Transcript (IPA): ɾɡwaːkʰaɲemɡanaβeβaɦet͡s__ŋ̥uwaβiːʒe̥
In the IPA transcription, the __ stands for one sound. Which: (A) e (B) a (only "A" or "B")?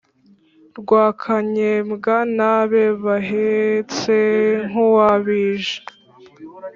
A